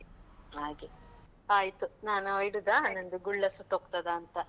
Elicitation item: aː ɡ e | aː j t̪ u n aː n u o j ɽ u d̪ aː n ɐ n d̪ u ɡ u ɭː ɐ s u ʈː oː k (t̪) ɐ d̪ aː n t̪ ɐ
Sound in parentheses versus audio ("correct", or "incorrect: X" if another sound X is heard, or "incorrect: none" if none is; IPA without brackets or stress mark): correct